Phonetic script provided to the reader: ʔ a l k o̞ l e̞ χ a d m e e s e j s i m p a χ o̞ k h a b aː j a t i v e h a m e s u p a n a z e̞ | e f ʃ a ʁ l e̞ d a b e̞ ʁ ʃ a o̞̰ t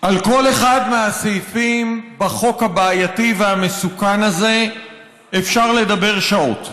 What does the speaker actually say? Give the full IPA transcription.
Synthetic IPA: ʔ a l k o̞ l e̞ χ a d m e a s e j f i m b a χ o̞ k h a b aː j a t i v e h a m e s u k a n a z e̞ | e f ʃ a ʁ l e̞ d a b e̞ ʁ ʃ a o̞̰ t